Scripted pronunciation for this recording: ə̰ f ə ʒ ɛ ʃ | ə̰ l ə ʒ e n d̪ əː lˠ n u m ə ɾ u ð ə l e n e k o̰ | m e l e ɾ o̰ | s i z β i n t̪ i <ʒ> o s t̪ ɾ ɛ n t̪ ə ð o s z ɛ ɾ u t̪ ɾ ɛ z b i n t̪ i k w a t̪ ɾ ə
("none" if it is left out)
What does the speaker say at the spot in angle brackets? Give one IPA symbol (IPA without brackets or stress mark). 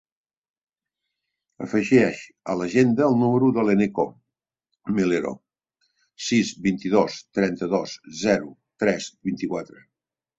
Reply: ð